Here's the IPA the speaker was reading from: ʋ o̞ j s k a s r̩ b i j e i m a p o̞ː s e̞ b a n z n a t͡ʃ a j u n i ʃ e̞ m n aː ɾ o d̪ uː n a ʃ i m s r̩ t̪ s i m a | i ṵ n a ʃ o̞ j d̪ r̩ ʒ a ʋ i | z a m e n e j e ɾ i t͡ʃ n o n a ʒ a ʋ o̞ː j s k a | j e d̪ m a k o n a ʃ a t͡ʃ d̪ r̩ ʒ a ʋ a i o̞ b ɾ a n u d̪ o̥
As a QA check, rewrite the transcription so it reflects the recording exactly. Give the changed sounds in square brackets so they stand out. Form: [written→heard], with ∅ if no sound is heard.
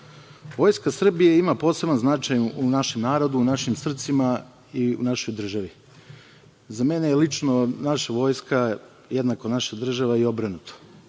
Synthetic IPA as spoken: ʋ o̞ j s k a s r̩ b i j e i m a p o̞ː s e̞ b a n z n a t͡ʃ a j u n [i→a] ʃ e̞ m n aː ɾ o d̪ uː n a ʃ i m s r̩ t̪ s i m a | i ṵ n a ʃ o̞ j d̪ r̩ ʒ a ʋ i | z a m e n e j e [ɾ→l] i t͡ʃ n o n a [ʒ→ʃ] a ʋ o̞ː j s k a | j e d̪ [m→n] a k o n a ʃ a [t͡ʃ→∅] d̪ r̩ ʒ a ʋ a i o̞ b ɾ a n u [d̪→t̪] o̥